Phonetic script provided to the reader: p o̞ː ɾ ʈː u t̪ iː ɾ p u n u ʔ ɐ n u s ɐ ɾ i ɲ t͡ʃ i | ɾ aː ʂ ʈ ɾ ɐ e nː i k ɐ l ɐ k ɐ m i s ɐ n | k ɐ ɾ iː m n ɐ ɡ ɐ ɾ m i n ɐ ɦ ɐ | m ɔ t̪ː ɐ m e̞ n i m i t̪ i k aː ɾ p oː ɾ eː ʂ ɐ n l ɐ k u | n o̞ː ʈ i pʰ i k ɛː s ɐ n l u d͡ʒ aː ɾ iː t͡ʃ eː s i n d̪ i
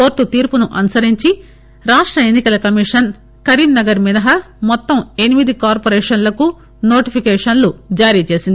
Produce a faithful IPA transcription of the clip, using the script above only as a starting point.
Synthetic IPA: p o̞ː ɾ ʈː u t̪ iː ɾ p u n u ʔ ɐ n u s ɐ ɾ i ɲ t͡ʃ i | ɾ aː ʂ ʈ ɾ ɐ e nː i k ɐ l ɐ k ɐ m i ʂ ɐ n | k ɐ ɾ iː m n ɐ ɡ ɐ ɾ m i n ɐ ɦ ɐ | m ɔ t̪ː ɐ m e̞ n i m i d̪ i k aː ɾ p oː ɾ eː ʂ ɐ n l ɐ k u | n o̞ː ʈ i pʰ i k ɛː ʂ ɐ n l u d͡ʒ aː ɾ iː t͡ʃ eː s i n d̪ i